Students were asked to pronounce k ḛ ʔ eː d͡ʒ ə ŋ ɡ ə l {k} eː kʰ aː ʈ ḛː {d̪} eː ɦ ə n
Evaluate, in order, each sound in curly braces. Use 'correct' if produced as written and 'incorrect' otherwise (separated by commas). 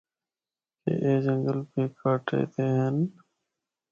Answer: incorrect, incorrect